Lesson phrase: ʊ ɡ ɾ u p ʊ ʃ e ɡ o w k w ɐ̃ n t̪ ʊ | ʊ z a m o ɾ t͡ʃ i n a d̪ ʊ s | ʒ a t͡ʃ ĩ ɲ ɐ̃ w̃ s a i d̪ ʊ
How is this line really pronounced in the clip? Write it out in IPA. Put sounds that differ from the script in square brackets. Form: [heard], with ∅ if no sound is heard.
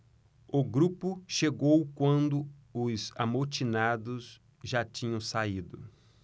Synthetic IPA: ʊ ɡ ɾ u p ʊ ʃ e ɡ o w k w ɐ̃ n [d̪] ʊ | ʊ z a m o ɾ t͡ʃ i n a d̪ ʊ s | ʒ a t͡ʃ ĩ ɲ ɐ̃ w̃ s a i d̪ ʊ